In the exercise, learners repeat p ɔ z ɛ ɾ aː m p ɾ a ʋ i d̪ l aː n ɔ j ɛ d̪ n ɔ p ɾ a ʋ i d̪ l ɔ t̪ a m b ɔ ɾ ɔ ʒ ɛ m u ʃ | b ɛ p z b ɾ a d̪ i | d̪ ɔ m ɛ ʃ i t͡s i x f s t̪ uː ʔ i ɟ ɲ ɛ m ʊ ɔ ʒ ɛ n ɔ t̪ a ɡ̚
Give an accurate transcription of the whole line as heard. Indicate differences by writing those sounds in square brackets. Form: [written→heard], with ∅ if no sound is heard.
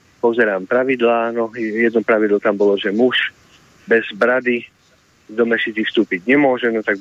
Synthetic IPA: p ɔ z ɛ ɾ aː m p ɾ a ʋ i d̪ l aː n ɔ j ɛ d̪ n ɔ p ɾ a ʋ i d̪ l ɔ t̪ a m b ɔ [ɾ→l] ɔ ʒ ɛ m u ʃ | b ɛ [p→∅] z b ɾ a d̪ i | d̪ ɔ m ɛ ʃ i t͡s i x f s t̪ uː [ʔ→p] i ɟ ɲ ɛ m ʊ ɔ ʒ ɛ n ɔ t̪ a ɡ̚